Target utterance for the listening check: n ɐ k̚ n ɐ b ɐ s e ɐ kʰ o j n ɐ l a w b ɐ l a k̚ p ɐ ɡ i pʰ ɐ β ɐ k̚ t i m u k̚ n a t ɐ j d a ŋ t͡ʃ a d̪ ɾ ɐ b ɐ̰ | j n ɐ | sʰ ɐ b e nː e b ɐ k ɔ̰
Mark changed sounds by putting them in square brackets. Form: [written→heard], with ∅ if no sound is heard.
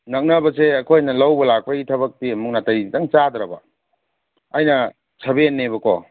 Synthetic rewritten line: n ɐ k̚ n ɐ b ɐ s e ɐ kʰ o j n ɐ l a w b ɐ l a k̚ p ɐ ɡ i [pʰ→tʰ] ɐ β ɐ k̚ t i m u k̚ n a t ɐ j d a ŋ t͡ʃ a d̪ ɾ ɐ b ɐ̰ | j n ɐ | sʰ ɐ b e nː e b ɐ k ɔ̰